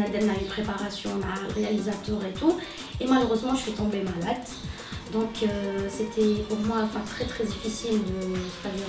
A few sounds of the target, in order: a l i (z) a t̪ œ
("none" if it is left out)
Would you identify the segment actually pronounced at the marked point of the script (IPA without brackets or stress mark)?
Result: z